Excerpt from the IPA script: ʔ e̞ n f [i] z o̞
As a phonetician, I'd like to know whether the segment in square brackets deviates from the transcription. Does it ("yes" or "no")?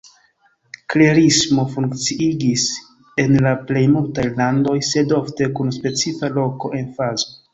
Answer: yes